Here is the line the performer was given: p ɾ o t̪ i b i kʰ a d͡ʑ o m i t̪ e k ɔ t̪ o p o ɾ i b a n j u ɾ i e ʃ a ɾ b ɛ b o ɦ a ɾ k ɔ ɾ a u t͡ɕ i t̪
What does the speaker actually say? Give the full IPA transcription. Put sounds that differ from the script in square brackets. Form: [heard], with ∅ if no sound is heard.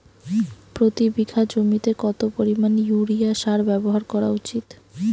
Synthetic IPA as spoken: p ɾ o t̪ i b i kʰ a d͡ʑ o m i t̪ e k ɔ t̪ o p o ɾ i [m] a n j u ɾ i [a] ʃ a ɾ b ɛ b o ɦ a ɾ k ɔ ɾ a u t͡ɕ i t̪